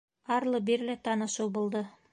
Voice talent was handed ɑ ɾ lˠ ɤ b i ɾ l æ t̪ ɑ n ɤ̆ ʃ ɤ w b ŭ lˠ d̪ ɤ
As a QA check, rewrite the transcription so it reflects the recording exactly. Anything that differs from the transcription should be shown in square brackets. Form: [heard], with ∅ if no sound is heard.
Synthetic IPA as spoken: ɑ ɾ lˠ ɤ b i ɾ l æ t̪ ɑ n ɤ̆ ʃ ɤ w b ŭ lˠ d̪ ɤ